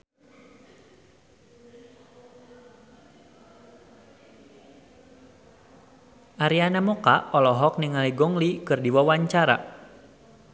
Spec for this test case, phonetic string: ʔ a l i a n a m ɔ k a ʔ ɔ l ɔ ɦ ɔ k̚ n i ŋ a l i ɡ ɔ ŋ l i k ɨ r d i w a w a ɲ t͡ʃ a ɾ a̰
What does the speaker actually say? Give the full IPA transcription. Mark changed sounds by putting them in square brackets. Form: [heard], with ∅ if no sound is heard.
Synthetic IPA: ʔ a [ɾ] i a n a m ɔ k a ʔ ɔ l ɔ ɦ ɔ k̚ n i ŋ a l i ɡ ɔ ŋ l i k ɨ r d i w a w a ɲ t͡ʃ a ɾ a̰